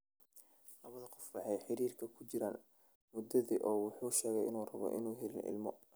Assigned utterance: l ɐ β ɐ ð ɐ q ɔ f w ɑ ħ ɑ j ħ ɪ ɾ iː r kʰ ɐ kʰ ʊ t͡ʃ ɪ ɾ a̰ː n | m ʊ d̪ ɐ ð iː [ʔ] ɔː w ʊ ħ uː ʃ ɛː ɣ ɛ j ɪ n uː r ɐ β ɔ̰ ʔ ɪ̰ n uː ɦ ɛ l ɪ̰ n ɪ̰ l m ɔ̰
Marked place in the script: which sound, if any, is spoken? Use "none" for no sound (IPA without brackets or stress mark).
ʔ